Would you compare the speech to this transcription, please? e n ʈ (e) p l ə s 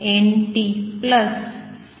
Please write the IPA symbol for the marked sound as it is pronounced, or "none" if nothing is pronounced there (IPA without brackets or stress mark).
i